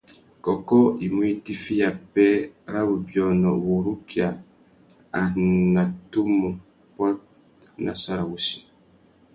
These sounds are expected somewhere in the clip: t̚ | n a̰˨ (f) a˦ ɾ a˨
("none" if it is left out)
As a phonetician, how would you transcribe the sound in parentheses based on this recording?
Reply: s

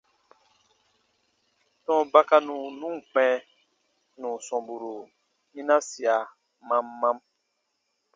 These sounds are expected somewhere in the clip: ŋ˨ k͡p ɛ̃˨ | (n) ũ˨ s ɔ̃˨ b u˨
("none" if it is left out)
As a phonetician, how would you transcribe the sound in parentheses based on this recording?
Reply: n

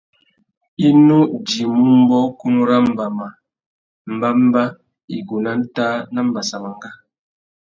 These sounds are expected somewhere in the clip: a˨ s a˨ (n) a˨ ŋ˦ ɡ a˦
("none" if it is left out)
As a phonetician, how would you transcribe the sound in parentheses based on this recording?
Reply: m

